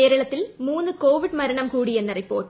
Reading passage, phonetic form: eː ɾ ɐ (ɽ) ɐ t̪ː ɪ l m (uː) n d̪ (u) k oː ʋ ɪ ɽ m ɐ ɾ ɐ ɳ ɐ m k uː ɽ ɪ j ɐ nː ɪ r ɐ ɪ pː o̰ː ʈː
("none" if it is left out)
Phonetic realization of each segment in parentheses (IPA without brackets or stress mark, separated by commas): ɭ, uː, ɯ